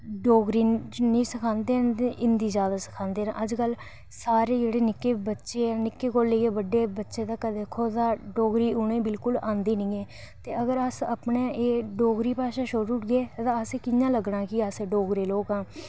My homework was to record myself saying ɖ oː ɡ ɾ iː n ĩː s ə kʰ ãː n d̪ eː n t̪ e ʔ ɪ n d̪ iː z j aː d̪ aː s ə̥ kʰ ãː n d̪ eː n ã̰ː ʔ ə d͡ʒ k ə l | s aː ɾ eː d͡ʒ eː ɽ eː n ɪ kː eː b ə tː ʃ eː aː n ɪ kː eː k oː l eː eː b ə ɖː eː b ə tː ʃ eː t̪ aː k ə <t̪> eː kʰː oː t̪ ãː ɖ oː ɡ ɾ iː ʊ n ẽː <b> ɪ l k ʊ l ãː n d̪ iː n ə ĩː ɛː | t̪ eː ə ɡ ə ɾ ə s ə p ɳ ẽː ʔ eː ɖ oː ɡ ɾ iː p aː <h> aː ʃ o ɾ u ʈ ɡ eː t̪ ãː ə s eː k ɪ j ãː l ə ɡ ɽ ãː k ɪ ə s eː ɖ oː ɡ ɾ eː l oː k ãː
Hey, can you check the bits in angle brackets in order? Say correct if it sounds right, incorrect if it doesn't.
incorrect, correct, incorrect

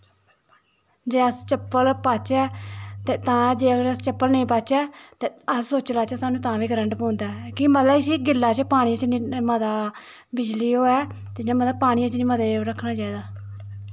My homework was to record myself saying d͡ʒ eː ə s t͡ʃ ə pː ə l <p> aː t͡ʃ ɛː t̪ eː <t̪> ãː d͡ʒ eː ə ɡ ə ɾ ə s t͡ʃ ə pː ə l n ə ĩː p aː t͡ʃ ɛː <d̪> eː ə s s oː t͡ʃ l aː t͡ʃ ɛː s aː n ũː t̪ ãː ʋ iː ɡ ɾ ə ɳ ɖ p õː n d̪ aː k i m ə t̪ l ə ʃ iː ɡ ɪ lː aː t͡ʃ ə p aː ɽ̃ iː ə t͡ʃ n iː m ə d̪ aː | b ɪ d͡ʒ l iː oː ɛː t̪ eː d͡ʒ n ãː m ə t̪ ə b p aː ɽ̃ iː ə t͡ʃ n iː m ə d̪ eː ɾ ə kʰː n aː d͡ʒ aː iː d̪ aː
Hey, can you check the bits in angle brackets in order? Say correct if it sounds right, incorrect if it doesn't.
correct, correct, incorrect

